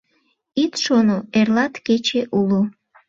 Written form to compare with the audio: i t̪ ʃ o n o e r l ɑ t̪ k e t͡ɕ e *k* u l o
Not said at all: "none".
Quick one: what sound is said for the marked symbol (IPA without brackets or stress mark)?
ʔ